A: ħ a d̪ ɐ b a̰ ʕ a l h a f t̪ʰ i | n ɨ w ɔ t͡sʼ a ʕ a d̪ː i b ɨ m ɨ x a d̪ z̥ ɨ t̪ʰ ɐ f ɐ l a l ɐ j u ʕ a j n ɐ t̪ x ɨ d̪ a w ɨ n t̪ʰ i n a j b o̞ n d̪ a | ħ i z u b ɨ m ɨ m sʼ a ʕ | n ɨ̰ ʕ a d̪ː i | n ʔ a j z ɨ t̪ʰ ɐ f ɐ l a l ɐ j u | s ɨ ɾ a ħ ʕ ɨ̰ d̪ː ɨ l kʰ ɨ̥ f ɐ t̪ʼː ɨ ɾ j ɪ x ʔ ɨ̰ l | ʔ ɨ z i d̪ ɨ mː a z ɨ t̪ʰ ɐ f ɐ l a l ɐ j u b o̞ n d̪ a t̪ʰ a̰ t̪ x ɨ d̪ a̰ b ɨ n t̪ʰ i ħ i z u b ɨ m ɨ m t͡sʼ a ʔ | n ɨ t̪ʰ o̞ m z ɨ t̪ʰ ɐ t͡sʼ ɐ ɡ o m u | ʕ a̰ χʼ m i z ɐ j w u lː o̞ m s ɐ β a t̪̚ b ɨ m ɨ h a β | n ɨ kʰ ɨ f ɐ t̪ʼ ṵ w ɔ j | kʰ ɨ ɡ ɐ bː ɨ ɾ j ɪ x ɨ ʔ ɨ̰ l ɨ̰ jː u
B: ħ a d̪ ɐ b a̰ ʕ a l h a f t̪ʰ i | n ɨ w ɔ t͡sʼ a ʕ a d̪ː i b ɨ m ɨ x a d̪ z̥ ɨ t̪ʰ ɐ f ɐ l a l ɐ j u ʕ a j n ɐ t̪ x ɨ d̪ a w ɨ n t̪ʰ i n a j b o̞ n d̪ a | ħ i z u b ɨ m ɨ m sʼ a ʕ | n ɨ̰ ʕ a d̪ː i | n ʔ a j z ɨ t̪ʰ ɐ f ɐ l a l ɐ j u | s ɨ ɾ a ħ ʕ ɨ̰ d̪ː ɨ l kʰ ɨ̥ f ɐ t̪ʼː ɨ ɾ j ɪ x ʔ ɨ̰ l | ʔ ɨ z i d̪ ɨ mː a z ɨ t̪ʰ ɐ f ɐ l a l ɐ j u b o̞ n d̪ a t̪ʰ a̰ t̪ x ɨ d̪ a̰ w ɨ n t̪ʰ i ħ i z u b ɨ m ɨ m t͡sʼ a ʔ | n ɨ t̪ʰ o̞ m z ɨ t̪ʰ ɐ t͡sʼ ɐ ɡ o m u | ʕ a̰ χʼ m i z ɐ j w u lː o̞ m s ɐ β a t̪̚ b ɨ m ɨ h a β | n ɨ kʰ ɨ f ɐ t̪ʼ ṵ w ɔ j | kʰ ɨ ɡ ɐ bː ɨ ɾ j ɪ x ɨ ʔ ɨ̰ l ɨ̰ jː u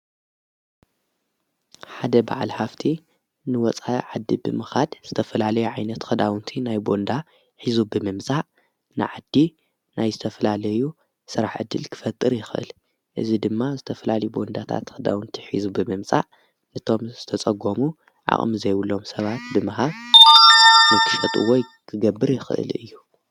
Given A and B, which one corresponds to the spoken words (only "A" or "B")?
B